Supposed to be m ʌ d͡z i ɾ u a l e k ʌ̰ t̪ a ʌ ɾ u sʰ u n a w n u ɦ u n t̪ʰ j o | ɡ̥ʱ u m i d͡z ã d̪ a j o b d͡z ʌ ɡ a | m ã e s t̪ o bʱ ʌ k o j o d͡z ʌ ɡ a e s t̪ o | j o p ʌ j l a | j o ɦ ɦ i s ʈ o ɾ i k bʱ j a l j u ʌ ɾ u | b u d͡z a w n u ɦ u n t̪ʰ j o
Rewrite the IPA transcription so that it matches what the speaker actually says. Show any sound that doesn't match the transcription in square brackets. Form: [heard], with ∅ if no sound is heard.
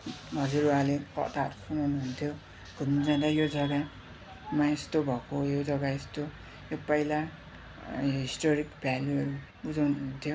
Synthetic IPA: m ʌ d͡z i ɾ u a l e k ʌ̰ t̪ a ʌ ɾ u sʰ u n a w n u ɦ u n t̪ʰ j o | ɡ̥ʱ u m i d͡z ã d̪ a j o [∅] d͡z ʌ ɡ a | m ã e s t̪ o bʱ ʌ k o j o d͡z ʌ ɡ a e s t̪ o | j o p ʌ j l a | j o ɦ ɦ i s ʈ o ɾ i k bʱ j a l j u ʌ ɾ u | b u d͡z a w n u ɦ u n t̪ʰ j o